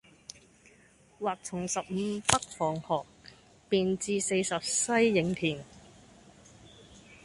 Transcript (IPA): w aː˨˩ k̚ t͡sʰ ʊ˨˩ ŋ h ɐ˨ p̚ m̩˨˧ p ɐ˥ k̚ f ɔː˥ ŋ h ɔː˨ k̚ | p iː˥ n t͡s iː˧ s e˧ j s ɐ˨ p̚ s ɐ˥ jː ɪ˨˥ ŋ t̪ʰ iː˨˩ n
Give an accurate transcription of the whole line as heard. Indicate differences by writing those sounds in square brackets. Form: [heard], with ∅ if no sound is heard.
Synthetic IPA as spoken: w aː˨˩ k̚ t͡sʰ ʊ˨˩ ŋ [s] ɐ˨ p̚ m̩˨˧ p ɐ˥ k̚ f [ɔː˨˩] ŋ h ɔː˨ k̚ | p [iː˨] n t͡s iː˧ s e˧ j s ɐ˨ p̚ s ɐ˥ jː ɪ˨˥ ŋ t̪ʰ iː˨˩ n